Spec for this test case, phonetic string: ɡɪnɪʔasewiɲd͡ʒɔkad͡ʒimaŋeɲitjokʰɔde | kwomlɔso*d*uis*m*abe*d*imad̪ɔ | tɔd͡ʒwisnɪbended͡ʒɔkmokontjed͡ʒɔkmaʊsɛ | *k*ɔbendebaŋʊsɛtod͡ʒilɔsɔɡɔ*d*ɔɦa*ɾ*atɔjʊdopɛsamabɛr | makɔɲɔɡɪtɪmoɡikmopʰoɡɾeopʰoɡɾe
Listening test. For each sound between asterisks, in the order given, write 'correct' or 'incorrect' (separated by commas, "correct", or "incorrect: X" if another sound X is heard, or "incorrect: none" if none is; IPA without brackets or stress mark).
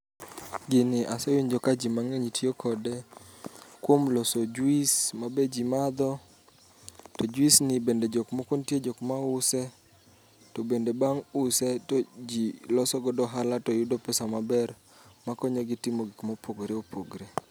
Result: incorrect: d͡ʒ, correct, incorrect: d͡ʒ, incorrect: t, correct, incorrect: l